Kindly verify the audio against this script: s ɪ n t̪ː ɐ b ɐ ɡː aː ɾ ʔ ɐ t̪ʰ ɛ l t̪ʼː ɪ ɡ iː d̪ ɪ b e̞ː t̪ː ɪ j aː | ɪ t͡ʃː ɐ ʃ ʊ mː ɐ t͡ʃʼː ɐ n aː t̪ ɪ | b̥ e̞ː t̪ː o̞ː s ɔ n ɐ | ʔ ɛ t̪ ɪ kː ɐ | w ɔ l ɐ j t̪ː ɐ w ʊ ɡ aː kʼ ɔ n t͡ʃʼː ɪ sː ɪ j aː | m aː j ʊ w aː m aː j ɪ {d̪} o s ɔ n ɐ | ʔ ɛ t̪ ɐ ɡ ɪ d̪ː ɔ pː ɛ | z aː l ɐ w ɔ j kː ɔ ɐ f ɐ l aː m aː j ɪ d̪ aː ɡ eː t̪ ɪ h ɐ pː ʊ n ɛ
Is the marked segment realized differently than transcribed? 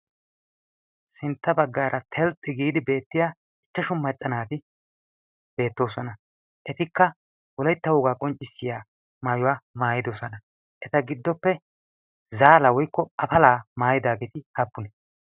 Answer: no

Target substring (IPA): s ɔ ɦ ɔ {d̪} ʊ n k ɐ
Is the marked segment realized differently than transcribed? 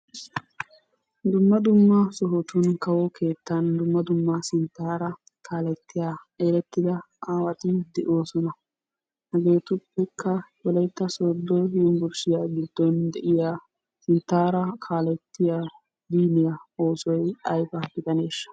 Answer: yes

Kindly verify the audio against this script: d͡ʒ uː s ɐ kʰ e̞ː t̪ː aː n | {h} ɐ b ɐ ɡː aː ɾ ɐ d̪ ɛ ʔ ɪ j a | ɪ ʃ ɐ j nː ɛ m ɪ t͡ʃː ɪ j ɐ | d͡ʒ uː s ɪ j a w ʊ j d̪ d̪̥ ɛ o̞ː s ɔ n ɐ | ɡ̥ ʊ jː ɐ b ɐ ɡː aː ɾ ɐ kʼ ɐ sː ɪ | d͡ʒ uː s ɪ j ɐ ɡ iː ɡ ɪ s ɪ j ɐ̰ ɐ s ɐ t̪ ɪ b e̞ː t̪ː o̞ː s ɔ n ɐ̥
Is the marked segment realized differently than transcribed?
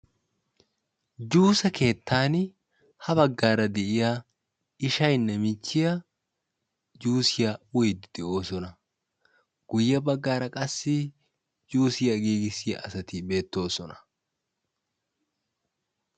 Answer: no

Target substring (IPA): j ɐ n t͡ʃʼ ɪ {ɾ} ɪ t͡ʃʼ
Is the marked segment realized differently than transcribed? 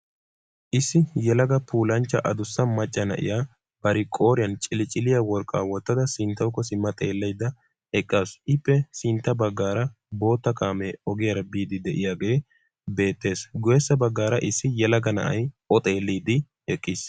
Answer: yes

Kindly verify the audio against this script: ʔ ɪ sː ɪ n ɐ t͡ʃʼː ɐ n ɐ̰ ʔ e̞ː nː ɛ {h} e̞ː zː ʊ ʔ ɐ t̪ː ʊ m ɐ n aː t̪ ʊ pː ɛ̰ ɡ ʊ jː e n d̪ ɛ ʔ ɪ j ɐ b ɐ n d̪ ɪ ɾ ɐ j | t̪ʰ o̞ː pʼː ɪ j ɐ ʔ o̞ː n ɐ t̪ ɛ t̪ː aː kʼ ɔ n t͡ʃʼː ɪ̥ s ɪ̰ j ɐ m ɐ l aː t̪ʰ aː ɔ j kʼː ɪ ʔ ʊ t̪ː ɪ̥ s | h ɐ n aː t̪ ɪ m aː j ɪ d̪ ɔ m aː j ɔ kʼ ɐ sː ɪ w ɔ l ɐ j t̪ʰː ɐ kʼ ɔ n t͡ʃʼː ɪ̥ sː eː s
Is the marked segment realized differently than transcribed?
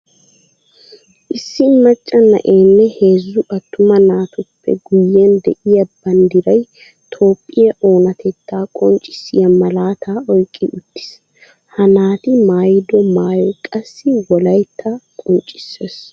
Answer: no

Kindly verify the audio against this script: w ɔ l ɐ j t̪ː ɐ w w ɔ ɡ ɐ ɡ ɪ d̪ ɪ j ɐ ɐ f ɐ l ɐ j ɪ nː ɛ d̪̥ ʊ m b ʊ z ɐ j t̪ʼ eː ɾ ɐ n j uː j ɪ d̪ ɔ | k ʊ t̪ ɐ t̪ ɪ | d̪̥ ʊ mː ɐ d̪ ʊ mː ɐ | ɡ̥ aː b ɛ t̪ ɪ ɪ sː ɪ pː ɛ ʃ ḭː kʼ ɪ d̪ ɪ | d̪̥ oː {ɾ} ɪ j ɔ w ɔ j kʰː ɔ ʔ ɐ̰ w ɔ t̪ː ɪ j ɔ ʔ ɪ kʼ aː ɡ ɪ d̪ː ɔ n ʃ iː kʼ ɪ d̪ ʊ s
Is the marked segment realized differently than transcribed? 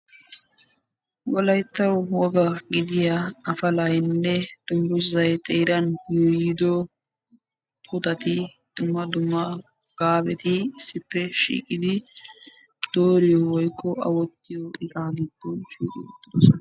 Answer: no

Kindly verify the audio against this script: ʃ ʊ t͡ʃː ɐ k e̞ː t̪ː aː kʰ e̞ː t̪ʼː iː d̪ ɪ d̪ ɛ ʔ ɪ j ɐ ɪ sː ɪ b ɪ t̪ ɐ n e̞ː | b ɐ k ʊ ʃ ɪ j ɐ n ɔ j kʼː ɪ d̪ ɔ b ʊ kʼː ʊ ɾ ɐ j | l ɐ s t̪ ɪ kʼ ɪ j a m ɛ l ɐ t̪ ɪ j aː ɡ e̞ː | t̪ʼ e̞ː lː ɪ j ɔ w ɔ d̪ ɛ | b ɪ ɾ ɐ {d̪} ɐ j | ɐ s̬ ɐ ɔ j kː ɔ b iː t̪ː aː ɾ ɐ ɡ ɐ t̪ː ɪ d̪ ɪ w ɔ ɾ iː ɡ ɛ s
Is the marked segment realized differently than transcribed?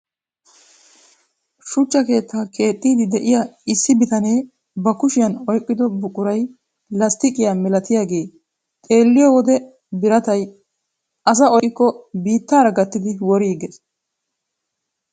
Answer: yes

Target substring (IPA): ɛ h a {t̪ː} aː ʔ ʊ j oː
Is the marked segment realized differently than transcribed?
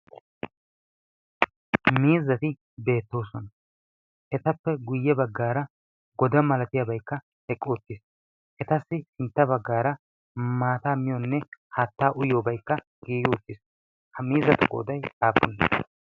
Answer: no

